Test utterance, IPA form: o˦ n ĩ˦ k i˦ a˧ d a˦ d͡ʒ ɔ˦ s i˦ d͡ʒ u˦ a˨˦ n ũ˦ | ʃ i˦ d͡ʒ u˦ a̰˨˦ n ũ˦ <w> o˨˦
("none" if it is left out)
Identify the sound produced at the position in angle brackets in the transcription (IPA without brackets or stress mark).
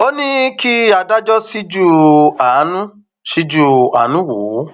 w